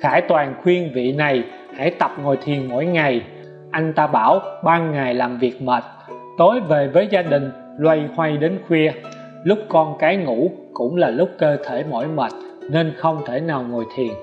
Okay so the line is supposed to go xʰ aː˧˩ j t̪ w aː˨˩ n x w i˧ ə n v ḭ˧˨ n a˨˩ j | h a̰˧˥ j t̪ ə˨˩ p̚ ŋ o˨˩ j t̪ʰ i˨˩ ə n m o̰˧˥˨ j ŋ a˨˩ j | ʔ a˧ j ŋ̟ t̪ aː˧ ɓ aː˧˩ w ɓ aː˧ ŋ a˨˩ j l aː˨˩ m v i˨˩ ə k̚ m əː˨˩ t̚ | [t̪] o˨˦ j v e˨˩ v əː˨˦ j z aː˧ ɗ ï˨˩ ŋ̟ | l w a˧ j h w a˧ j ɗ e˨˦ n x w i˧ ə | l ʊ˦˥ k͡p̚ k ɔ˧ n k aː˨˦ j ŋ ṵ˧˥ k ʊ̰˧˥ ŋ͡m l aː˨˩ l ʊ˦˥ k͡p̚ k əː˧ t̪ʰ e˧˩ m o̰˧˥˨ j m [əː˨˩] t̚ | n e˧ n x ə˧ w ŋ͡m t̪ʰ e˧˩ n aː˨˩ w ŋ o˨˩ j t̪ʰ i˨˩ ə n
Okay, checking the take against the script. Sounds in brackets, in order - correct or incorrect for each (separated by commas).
correct, correct